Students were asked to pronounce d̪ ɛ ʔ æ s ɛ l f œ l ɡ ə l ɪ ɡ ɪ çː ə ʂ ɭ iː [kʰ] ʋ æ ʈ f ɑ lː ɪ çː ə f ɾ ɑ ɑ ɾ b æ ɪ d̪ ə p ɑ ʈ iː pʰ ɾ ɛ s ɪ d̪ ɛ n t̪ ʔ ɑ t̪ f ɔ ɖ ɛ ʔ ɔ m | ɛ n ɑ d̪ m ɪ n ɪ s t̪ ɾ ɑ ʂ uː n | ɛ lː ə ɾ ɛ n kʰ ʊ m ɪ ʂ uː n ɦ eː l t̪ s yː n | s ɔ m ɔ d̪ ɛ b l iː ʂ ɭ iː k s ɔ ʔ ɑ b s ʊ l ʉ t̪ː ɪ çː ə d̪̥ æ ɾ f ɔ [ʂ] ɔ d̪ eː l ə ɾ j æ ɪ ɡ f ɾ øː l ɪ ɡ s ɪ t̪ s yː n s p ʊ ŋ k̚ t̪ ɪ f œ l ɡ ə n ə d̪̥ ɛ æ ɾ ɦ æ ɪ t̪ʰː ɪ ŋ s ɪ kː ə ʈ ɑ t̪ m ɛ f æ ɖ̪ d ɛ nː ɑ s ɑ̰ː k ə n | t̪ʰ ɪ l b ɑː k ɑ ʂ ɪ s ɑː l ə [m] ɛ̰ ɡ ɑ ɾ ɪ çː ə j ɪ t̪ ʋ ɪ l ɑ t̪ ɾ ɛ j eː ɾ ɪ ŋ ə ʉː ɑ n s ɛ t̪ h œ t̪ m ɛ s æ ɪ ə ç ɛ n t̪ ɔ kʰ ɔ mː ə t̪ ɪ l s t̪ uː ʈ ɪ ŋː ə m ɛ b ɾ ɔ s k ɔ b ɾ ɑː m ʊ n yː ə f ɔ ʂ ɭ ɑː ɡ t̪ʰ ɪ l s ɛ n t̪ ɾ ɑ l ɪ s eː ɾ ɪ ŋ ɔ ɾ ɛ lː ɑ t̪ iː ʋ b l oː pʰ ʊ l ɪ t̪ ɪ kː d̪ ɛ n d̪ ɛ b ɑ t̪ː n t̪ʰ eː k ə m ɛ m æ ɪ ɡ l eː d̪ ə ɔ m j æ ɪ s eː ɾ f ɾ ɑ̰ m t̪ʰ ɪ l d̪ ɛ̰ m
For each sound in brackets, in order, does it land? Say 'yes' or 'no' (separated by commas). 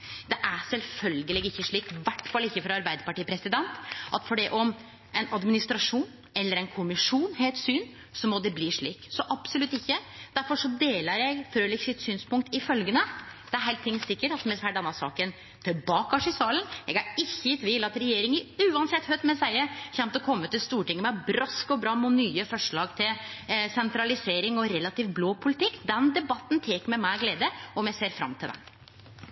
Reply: no, yes, no